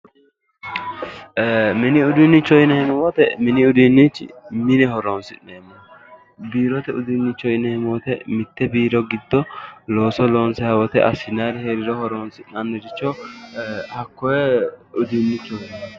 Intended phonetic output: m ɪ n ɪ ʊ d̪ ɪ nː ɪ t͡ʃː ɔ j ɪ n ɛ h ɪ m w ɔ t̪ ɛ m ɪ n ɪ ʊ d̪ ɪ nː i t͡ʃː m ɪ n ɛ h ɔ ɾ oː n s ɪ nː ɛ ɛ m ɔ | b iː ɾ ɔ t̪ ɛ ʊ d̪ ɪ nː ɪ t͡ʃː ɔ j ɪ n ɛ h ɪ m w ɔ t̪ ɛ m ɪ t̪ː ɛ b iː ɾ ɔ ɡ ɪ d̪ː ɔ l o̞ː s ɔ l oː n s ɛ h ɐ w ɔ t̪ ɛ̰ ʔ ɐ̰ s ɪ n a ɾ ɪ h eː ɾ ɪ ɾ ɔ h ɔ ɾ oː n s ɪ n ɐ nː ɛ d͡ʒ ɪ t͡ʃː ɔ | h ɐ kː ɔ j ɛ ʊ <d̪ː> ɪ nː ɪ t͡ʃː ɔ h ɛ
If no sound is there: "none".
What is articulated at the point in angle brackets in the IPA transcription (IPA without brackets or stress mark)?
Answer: d̪